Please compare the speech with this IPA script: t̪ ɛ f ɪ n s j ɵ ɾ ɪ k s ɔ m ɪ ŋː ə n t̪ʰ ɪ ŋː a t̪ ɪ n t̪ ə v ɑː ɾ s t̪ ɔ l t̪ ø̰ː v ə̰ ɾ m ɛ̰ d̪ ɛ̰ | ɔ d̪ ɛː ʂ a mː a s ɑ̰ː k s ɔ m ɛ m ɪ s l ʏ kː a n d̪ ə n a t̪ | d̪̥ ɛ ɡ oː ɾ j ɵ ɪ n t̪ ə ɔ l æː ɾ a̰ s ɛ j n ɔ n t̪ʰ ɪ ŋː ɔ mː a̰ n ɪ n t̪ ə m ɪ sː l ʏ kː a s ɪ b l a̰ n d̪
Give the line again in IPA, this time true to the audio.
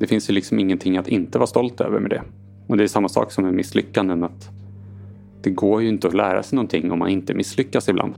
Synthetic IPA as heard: d̪ ɛ f ɪ n s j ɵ l ɪ k s ɔ m ɪ ŋː ə n t̪ʰ ɪ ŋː a t̪ ɪ n t̪ ə v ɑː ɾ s t̪ ɔ l t̪ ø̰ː v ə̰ ɾ m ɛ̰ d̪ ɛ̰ | ɔ d̪ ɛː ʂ a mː a s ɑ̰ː k s ɔ m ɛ m ɪ s l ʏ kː a n d̪ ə n a t̪ | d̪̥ ɛ ɡ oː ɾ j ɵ ɪ n t̪ ə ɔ l æː ɾ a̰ s ɛ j n ɔ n t̪ʰ ɪ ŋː ɔ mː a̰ n ɪ n t̪ ə m ɪ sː l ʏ kː a s ɪ b l a̰ n d̪